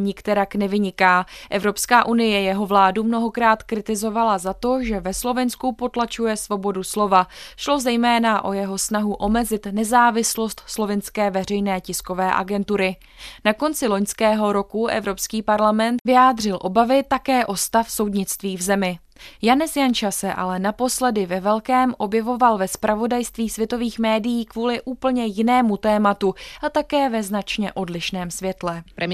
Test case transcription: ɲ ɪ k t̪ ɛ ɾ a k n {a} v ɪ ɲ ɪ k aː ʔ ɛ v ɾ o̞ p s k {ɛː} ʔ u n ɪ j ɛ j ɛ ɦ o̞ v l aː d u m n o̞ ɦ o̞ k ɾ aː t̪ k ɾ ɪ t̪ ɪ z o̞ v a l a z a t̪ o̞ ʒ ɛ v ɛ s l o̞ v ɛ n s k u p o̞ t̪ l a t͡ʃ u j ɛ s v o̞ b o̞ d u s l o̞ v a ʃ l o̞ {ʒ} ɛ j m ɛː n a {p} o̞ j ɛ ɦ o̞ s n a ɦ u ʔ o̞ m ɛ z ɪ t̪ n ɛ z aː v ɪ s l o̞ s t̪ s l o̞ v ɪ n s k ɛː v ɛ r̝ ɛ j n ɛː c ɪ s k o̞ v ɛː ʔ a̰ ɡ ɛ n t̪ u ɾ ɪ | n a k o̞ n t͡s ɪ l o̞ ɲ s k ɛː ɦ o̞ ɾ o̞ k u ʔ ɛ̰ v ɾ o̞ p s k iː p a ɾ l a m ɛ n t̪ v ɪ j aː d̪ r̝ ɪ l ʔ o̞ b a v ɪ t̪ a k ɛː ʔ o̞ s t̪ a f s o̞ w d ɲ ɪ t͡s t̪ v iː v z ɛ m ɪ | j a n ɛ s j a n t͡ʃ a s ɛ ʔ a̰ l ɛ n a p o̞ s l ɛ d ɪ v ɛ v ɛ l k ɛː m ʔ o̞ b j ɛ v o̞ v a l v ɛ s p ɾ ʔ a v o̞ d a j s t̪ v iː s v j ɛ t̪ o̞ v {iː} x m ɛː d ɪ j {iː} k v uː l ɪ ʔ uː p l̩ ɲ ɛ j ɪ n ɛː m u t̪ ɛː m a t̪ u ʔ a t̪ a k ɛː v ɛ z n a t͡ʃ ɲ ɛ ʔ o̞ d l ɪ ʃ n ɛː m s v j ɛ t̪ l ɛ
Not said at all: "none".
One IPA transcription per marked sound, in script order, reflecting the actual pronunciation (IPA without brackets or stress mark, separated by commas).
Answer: ɛ, aː, z, ʔ, iː, iː